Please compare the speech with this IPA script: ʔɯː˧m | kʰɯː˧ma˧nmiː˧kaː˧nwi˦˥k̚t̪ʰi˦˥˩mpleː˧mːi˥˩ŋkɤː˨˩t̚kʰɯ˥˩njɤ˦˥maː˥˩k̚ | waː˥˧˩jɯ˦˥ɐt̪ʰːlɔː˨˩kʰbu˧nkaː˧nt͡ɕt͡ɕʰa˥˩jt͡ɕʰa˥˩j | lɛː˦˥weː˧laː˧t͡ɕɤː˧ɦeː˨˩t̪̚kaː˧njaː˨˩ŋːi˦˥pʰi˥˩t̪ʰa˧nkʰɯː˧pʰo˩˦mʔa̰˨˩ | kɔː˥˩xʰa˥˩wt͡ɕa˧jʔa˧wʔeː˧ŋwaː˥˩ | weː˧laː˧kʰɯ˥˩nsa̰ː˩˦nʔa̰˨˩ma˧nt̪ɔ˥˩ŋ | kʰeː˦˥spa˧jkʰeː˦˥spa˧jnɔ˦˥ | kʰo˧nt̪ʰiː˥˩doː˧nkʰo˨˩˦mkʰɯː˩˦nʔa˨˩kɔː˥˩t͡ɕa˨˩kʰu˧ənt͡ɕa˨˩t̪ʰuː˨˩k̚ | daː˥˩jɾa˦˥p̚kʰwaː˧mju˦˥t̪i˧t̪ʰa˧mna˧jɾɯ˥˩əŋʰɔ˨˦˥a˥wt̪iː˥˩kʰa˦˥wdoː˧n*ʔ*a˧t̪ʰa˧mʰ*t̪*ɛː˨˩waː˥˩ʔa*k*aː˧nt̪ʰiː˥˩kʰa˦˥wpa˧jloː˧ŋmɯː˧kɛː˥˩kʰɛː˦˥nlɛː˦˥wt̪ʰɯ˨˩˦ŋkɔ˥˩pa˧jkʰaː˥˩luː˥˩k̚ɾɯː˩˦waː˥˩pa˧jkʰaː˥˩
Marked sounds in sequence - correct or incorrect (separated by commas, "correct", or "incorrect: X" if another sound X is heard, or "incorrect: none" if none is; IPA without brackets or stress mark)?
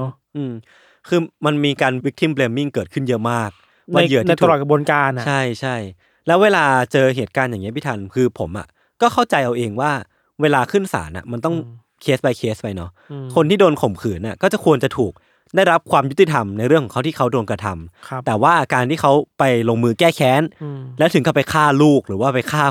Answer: incorrect: k, correct, correct